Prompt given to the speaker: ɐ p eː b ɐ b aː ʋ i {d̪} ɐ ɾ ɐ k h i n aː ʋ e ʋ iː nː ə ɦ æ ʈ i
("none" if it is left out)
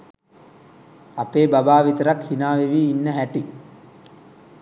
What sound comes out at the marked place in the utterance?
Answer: t̪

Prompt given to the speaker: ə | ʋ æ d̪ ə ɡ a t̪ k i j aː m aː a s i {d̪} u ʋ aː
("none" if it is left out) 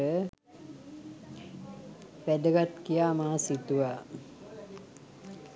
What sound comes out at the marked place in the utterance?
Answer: t̪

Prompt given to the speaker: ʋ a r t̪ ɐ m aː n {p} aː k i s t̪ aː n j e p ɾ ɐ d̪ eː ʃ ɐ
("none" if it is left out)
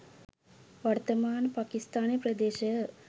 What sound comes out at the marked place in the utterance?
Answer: p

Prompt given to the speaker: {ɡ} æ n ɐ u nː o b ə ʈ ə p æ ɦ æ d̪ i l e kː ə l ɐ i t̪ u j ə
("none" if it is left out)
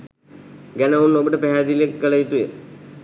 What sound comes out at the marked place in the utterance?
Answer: ɡ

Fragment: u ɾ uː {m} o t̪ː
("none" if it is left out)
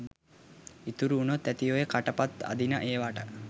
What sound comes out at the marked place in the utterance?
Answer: n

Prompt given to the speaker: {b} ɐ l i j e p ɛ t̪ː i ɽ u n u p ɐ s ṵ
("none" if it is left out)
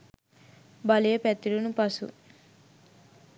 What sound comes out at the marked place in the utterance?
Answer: b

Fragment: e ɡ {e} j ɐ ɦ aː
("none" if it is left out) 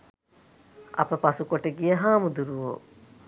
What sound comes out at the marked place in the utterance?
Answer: i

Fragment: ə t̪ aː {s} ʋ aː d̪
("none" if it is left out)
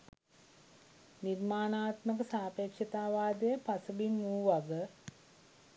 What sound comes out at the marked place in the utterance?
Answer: none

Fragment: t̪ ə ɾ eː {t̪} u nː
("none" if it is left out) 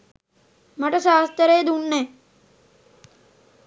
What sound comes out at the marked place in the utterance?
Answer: d̪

